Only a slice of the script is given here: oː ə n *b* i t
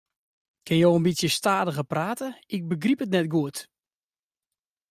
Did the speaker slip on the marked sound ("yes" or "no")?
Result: no